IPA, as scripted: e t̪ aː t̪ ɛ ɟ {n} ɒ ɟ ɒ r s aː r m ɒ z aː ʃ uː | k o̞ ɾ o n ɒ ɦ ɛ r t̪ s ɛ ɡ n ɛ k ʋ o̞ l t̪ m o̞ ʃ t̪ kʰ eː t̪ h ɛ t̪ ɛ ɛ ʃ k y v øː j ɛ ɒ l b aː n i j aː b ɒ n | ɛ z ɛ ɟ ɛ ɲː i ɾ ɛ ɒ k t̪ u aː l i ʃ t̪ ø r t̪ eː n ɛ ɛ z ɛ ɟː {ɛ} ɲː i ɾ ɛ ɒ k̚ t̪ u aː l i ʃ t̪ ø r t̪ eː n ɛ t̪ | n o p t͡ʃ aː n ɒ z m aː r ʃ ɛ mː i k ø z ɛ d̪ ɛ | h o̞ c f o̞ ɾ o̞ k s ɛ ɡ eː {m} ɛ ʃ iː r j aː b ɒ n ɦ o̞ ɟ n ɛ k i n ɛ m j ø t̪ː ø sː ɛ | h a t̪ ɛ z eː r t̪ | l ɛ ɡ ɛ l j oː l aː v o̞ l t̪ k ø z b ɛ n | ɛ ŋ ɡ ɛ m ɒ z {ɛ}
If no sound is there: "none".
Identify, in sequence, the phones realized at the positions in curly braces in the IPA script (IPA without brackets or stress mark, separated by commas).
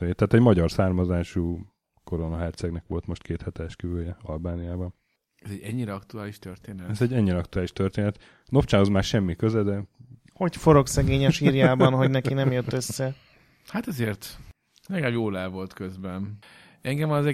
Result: m, ɛ, ɲ, ɛ